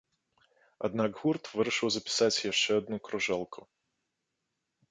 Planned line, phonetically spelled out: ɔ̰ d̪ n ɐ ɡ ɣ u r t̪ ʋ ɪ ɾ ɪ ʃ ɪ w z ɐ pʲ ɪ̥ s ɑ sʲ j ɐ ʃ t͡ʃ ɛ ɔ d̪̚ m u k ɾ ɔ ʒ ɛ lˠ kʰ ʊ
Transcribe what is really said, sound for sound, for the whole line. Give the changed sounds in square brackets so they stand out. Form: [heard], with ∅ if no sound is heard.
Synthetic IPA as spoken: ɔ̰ d̪ n [ɑ] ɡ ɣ u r t̪ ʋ ɪ ɾ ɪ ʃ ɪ w z ɐ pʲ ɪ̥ s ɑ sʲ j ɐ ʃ t͡ʃ ɛ ɔ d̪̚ [n] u k ɾ ɔ ʒ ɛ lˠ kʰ ʊ